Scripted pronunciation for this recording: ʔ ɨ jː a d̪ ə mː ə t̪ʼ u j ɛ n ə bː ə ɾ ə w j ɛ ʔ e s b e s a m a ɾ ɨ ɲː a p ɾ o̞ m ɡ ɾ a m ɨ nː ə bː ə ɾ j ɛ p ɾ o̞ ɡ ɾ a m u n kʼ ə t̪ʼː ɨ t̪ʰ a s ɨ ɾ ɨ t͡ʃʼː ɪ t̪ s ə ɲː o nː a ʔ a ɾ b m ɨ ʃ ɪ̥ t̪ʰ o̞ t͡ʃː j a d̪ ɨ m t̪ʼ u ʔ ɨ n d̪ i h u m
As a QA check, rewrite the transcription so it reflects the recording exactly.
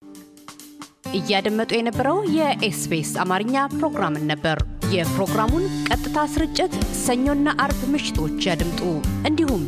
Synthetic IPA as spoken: ʔ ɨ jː a d̪ ə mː ə t̪ʼ u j ɛ n ə bː ə ɾ ə w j ɛ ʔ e s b e s a m a ɾ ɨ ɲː a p ɾ o̞ ɡ ɾ a m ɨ nː ə bː ə ɾ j ɛ p ɾ o̞ ɡ ɾ a m u n kʼ ə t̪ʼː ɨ t̪ʰ a s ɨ ɾ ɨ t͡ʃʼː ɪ t̪ s ə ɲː o nː a ʔ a ɾ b m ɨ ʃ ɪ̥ t̪ʰ o̞ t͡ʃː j a d̪ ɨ m t̪ʼ u ʔ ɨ n d̪ i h u m